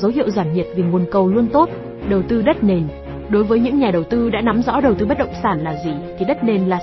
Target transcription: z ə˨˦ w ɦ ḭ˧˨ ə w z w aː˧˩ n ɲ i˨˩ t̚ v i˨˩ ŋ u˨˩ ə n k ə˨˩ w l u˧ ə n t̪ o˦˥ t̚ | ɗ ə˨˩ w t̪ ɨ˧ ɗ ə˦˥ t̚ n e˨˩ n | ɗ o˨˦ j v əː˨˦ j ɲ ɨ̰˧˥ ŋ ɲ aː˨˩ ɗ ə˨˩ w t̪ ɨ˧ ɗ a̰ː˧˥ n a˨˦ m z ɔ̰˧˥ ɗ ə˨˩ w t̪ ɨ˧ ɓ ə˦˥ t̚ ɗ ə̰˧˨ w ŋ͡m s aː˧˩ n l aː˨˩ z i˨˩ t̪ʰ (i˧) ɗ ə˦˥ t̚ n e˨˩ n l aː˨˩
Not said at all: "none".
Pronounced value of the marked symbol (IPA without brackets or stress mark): i˨˩